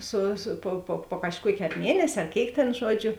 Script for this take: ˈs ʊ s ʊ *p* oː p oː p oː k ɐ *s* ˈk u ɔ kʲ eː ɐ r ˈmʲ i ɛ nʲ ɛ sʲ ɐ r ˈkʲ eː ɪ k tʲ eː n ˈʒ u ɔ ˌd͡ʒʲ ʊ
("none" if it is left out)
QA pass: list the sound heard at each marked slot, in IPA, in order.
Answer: p, ʃ

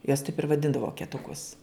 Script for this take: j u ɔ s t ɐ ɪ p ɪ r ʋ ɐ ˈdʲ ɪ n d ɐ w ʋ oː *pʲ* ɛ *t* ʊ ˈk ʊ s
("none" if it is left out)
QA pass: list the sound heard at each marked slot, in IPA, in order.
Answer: kʲ, t

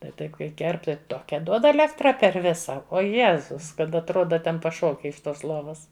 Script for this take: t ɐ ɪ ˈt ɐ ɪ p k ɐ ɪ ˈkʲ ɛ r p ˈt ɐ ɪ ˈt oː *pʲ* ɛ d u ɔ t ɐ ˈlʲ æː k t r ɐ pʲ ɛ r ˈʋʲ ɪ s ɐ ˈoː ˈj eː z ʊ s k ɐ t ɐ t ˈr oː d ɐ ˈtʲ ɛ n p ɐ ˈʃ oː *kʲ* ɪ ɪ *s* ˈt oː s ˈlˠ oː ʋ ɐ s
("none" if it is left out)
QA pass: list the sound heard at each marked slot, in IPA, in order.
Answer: kʲ, kʲ, ʃ

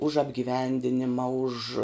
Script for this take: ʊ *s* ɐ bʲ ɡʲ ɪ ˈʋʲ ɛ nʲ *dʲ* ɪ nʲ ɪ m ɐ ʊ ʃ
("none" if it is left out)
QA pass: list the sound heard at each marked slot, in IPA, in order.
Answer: ʃ, dʲ

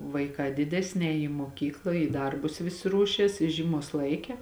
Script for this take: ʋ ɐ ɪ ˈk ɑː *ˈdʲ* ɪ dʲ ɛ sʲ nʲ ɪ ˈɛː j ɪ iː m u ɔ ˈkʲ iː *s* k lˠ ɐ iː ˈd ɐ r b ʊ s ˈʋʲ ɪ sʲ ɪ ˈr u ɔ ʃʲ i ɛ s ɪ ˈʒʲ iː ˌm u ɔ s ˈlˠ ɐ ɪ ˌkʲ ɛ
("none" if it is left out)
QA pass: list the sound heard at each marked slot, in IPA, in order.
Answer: dʲ, none

